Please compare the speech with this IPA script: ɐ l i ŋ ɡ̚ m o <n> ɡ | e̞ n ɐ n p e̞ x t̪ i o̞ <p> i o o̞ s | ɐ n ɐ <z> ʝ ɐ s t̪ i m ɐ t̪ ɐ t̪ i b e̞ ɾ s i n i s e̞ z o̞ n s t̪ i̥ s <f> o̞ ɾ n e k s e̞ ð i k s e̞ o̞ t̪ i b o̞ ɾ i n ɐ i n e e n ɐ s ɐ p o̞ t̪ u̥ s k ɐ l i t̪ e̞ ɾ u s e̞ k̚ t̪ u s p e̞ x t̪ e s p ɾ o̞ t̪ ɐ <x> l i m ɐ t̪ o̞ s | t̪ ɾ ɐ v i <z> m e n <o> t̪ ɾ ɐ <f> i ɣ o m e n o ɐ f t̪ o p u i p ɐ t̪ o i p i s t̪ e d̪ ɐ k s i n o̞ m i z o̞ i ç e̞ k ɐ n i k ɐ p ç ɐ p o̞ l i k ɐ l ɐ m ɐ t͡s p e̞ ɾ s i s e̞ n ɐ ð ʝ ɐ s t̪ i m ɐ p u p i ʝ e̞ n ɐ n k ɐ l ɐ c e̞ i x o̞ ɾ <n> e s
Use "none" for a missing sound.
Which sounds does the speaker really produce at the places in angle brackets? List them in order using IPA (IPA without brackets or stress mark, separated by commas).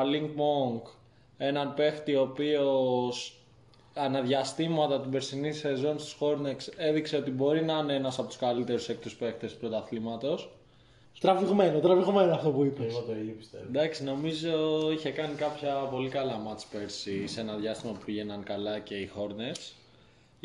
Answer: ŋ, p, ð, x, θ, ɣ, o, v, n